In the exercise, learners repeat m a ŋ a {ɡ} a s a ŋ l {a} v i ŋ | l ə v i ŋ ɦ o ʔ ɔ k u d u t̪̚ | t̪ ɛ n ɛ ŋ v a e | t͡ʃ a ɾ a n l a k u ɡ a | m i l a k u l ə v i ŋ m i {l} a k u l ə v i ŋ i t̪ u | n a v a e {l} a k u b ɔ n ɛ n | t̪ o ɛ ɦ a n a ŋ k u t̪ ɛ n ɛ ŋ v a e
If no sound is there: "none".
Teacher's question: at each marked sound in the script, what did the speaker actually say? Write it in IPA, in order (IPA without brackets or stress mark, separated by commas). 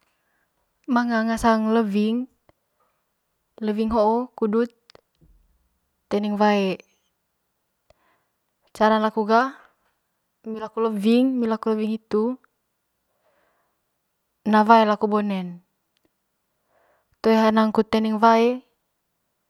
ŋ, ə, l, l